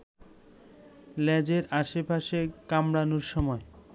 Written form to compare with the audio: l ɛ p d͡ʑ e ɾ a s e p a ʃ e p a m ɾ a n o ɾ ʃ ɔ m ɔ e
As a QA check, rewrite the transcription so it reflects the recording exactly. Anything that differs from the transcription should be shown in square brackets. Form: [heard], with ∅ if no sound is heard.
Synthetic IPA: l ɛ [∅] d͡ʑ e ɾ a [ʃ] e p a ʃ e [k] a m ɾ a n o ɾ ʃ ɔ m ɔ e